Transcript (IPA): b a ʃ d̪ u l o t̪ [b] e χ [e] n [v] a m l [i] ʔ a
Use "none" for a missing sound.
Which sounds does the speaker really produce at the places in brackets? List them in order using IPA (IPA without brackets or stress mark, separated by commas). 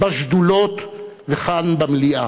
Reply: v, a, b, i